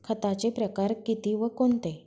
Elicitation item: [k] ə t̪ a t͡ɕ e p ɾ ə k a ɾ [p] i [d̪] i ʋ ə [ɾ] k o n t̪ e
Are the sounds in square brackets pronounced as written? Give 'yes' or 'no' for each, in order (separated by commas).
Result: no, no, no, no